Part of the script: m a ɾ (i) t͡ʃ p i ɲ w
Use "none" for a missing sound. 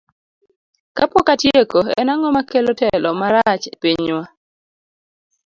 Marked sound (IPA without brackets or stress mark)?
a